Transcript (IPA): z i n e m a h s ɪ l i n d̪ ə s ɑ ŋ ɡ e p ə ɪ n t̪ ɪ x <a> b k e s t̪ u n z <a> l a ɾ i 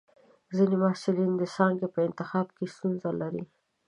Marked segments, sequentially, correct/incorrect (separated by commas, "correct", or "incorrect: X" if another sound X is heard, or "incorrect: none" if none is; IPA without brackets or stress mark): incorrect: ɑ, correct